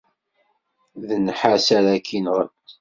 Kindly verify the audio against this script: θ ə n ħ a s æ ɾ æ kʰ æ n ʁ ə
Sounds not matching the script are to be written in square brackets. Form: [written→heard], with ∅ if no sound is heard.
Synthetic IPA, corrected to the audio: [θ→ð] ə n ħ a s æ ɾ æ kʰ [æ→i] n ʁ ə